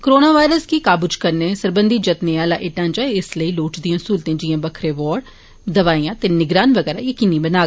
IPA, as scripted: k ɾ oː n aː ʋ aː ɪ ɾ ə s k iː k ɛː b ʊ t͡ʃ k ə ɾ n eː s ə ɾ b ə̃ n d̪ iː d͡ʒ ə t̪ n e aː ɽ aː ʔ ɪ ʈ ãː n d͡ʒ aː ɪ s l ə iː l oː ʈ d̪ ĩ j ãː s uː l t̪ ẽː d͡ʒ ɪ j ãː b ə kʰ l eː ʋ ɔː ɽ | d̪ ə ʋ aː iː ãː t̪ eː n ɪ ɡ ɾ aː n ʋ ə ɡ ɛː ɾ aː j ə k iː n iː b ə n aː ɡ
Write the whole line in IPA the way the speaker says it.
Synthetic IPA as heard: k ɾ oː n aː ʋ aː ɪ ɾ ə s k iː k aː b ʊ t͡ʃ k ə ɾ n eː s ə ɾ b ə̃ n d̪ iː d͡ʒ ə t̪ n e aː l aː ʔ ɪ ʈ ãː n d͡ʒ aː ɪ s l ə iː l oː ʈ d̪ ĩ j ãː s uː l t̪ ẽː d͡ʒ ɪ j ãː b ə kʰ ɾ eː ʋ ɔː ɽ | d̪ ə ʋ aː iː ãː t̪ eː n ɪ ɡ ɾ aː n ʋ ə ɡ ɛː ɾ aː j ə k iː n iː b ə n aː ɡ